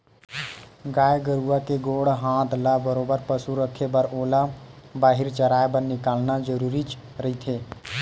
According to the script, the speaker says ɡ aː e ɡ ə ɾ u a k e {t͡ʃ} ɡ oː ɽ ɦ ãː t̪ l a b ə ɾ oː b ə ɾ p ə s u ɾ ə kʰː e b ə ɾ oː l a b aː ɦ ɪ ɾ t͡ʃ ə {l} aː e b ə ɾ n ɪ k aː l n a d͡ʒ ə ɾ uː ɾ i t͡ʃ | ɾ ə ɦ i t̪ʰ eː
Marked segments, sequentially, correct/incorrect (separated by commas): incorrect, incorrect